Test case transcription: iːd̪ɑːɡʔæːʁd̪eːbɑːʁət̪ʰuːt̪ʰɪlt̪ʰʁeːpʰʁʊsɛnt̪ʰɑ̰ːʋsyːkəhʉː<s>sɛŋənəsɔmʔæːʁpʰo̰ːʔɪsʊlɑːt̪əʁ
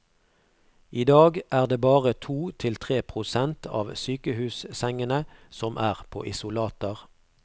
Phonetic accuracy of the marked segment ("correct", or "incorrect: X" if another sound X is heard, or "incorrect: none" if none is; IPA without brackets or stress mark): correct